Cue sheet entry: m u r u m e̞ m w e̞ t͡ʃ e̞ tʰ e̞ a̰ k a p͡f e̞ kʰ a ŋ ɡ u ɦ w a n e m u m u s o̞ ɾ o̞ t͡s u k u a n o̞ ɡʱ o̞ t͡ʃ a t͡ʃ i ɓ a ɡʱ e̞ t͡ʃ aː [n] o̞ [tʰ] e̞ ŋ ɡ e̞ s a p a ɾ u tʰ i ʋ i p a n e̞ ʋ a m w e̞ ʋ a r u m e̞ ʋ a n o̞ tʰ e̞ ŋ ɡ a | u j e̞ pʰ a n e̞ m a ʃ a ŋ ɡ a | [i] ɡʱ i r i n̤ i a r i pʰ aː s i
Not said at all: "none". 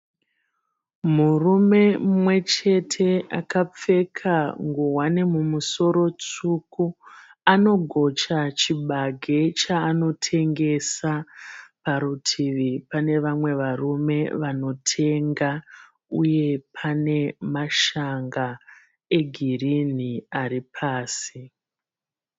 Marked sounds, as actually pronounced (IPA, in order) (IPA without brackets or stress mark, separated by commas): n, tʰ, e